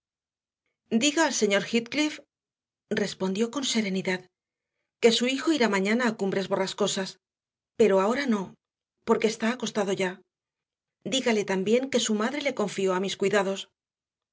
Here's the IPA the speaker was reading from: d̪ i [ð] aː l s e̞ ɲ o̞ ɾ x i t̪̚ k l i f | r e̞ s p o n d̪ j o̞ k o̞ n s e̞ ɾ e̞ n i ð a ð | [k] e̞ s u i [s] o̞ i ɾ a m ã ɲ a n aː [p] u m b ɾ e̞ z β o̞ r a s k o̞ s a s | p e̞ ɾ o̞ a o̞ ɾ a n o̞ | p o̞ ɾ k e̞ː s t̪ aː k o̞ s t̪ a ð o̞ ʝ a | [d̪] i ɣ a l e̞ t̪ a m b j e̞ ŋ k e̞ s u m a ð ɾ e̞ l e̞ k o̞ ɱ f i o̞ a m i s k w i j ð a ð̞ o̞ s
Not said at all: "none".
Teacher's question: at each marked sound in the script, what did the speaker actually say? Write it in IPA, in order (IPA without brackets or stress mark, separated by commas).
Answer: ɣ, k, x, k, d̪